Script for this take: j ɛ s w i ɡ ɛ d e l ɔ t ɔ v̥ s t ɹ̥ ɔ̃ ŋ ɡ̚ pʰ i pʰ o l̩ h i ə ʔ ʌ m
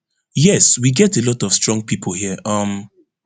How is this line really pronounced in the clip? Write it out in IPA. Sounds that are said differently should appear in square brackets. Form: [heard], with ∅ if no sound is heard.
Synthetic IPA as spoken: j ɛ s w i ɡ ɛ [t] e l ɔ t ɔ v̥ s t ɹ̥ ɔ̃ ŋ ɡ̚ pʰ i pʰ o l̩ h i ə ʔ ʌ m

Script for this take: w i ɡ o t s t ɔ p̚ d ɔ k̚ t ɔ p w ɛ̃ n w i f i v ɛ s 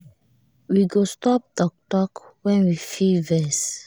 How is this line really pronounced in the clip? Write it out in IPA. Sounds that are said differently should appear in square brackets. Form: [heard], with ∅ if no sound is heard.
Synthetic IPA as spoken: w i ɡ o [∅] s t ɔ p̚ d ɔ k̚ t ɔ [k] w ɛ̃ n w i f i v ɛ s

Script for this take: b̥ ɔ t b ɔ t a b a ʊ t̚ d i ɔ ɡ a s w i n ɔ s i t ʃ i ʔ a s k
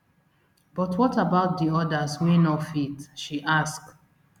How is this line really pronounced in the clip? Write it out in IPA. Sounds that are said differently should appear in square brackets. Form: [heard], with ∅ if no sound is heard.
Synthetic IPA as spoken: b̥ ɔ t [w] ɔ t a b a ʊ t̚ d i ɔ [d] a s w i n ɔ [f] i t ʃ i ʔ a s k

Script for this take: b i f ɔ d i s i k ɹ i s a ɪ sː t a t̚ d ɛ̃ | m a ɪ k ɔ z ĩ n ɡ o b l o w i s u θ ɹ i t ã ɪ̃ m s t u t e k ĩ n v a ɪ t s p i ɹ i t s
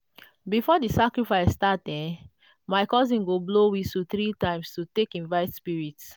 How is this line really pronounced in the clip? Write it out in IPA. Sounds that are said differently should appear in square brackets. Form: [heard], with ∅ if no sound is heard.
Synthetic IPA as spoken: b i f ɔ d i s [a] k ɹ i [f] a ɪ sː t a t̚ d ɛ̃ | m a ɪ k ɔ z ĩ n ɡ o b l o w i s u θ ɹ i t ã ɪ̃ m s t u t e k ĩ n v a ɪ t s p i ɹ i t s

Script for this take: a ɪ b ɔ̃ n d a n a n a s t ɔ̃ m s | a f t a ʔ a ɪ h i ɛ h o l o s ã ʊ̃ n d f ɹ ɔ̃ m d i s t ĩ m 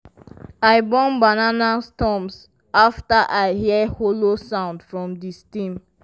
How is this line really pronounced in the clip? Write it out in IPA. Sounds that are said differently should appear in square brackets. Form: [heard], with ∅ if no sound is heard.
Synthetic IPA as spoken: a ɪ b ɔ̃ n [b] a n a n a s t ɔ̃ m s | a f t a ʔ a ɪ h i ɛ h o l o s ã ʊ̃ n d f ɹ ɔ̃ m d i s t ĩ m

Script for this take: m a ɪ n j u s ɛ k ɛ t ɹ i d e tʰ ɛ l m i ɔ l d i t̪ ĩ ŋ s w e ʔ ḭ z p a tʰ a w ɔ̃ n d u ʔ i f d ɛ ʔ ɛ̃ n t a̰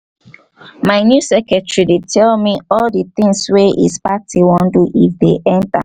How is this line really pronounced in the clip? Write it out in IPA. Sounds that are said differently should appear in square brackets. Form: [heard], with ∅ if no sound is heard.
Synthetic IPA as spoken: m a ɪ n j u s ɛ k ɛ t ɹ i d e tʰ ɛ l m i ɔ l d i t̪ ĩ ŋ s w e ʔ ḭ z p a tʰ [i] w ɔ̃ n d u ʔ i f d [e] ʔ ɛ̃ n t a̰

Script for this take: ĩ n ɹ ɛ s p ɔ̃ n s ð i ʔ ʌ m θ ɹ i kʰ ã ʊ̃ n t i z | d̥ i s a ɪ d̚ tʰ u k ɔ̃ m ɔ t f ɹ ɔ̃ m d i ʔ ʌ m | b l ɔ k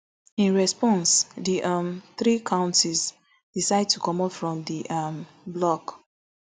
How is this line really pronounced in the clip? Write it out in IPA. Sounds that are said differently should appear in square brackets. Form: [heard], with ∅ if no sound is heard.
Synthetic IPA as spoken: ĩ n ɹ ɛ s p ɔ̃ n s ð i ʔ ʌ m θ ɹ i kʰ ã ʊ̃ n t i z | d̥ i s a ɪ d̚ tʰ u k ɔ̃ m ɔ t f ɹ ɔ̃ m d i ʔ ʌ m | b l ɔ k

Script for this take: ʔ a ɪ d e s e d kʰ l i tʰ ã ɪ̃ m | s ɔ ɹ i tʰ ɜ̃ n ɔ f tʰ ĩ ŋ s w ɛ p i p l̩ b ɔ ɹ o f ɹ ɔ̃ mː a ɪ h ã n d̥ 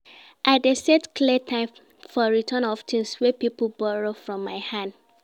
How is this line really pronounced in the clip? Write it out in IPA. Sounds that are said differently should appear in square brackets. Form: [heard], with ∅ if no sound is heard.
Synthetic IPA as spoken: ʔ a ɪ d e s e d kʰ l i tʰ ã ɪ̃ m | [f] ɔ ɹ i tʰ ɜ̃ n ɔ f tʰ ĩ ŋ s w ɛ p i p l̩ b ɔ ɹ o f ɹ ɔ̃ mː a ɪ h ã n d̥

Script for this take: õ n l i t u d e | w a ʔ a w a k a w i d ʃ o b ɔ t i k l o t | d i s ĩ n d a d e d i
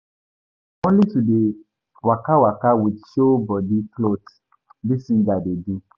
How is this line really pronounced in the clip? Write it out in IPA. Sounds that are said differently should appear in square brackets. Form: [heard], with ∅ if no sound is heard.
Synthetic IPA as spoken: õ n l i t u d e | w a [k] a w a k a w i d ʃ o b ɔ [d] i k l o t | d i s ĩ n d a d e d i

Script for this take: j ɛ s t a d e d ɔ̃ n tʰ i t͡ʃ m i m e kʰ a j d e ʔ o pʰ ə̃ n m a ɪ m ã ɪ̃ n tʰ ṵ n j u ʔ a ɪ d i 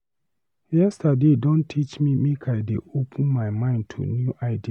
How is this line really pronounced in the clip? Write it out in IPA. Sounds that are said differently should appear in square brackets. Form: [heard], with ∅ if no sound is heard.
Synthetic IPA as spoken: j ɛ s t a d e d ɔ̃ n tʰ i t͡ʃ m i m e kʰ a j d e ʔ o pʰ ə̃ n m a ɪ m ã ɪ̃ n tʰ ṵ n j u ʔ a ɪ d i

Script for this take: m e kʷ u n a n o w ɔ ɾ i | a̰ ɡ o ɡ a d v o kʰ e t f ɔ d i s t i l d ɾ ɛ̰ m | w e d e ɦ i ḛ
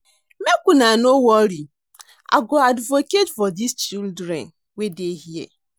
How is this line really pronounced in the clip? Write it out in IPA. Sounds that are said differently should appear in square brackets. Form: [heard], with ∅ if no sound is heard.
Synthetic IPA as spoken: m e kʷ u n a n o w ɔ ɾ i | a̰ ɡ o [∅] a d v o [k] e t f ɔ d i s [t͡ʃ] i l d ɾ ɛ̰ [n] | w e d e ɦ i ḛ

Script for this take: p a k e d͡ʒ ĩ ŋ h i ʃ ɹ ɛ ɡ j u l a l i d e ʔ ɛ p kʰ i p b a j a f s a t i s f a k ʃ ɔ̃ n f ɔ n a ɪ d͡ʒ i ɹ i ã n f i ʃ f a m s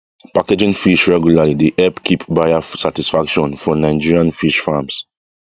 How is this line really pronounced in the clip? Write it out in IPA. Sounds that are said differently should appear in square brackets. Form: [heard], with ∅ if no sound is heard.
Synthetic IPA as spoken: p a k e d͡ʒ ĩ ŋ [f] i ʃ ɹ ɛ ɡ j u l a l i d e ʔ ɛ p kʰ i p b a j a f s a t i s f a k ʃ ɔ̃ n f ɔ n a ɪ d͡ʒ i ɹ i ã n f i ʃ f a m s

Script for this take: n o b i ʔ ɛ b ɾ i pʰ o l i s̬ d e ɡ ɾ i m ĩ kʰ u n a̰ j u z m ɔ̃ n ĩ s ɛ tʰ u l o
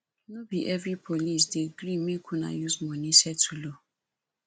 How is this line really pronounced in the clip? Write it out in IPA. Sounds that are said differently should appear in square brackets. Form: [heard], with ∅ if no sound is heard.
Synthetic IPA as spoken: n o b i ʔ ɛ [v] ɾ i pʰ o l i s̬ d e ɡ ɾ i m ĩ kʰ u n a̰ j u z m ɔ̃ n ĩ s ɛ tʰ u l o

